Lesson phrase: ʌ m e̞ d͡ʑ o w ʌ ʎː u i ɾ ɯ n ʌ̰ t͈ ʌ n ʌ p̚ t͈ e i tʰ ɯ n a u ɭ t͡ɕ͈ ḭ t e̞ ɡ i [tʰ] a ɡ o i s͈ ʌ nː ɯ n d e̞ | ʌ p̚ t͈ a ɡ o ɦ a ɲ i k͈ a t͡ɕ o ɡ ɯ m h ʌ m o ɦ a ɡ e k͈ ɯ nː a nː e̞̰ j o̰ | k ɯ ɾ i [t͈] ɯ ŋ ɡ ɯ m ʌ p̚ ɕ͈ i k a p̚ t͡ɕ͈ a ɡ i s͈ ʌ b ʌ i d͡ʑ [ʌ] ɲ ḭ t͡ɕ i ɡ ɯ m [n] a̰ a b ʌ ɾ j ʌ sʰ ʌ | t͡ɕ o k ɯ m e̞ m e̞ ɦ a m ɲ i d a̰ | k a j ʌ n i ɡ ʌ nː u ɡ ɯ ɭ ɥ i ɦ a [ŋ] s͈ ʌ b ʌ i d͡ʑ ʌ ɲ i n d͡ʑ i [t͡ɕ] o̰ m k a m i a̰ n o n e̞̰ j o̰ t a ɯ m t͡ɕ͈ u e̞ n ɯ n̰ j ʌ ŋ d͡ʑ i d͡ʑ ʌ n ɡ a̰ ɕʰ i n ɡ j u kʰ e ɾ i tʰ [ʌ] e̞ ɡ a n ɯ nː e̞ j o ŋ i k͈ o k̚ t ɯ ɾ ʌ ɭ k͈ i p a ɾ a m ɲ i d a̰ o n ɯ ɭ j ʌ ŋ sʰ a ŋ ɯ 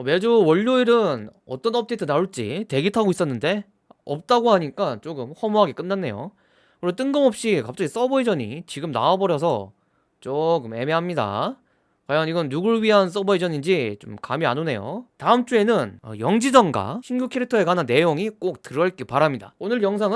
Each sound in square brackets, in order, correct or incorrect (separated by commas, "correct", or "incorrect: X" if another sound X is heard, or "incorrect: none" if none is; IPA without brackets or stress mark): correct, correct, correct, correct, incorrect: n, correct, correct